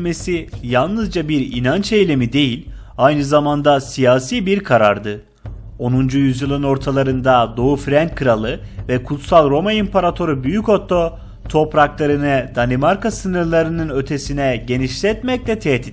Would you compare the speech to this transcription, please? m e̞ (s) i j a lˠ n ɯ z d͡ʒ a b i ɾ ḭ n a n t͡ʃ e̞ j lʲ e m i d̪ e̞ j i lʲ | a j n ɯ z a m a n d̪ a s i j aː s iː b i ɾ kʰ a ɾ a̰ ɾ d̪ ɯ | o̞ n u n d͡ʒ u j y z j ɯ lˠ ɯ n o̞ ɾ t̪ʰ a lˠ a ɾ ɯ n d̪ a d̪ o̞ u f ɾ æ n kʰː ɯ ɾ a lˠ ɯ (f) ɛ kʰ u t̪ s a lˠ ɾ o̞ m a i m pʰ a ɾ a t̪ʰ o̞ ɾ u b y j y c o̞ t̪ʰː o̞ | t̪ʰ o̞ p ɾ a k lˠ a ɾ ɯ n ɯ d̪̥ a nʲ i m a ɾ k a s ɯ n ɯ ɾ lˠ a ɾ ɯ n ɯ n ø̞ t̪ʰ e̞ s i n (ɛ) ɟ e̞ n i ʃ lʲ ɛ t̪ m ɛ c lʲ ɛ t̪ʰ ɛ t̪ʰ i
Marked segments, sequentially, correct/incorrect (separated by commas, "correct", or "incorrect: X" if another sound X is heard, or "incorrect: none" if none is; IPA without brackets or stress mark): correct, incorrect: v, correct